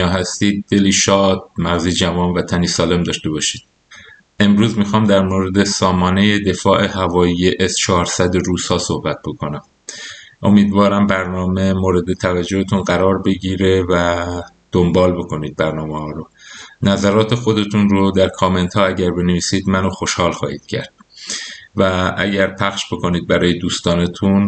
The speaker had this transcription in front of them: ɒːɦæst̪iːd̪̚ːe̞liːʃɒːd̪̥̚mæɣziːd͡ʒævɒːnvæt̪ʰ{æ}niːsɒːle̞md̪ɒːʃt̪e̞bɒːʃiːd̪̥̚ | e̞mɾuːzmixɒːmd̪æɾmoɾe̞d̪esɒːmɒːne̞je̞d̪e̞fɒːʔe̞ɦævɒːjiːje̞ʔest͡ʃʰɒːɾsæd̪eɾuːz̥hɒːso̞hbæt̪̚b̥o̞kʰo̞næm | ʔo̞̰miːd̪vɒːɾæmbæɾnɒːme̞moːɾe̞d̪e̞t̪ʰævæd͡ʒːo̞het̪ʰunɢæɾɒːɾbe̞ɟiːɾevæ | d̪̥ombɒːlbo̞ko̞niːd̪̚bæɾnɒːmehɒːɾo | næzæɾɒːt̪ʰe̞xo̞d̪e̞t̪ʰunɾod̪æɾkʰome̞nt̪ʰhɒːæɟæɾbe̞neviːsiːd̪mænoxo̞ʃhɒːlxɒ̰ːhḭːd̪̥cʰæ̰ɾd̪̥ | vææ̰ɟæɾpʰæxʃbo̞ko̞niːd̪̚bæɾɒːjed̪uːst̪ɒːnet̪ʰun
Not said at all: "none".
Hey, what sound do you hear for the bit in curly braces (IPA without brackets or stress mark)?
æ